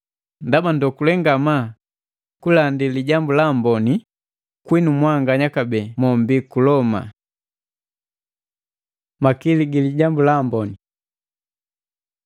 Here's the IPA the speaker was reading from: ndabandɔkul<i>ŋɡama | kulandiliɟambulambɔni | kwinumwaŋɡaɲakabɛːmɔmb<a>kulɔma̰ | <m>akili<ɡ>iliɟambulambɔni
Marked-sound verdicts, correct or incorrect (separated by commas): incorrect, incorrect, correct, correct